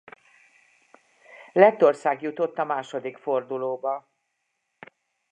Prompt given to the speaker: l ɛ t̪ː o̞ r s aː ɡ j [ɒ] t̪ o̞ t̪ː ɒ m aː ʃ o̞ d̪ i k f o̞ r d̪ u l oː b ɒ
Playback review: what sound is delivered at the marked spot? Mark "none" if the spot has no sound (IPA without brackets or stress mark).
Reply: u